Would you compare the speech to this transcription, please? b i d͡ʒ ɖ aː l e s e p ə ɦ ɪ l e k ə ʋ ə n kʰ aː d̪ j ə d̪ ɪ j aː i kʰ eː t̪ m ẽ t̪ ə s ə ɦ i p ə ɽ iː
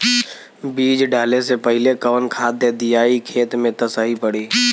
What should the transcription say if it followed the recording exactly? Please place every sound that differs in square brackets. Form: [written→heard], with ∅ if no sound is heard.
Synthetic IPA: b [i→iː] d͡ʒ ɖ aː l e s e p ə ɦ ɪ l e k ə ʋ ə n kʰ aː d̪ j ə d̪ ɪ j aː i kʰ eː t̪ m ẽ t̪ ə s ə ɦ i p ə ɽ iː